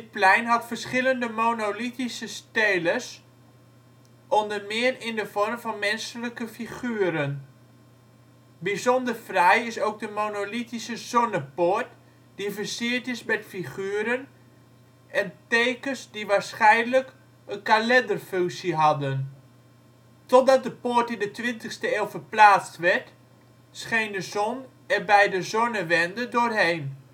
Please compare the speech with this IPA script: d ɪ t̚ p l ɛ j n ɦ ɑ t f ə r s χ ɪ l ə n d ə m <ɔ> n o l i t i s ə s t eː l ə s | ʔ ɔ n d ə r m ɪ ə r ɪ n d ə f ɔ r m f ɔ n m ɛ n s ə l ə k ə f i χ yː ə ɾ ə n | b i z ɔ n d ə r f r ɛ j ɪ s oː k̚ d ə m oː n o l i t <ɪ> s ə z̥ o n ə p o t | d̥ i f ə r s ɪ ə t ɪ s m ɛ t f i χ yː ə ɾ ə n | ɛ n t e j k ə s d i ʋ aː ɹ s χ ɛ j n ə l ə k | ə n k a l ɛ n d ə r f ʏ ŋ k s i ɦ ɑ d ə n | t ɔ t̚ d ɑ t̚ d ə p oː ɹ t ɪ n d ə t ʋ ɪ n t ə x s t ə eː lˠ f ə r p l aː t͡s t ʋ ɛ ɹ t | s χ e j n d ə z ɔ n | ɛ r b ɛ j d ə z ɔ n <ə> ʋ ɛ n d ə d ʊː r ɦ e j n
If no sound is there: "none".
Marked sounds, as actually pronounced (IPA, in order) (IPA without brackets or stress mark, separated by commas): o, i, ə